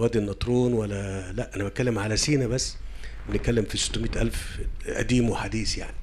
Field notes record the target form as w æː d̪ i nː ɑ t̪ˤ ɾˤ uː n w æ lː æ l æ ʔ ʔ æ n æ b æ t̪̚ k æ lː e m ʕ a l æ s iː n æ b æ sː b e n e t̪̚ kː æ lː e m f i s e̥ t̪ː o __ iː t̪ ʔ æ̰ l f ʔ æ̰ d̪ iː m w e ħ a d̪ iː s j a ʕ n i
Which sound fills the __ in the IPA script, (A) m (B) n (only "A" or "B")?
A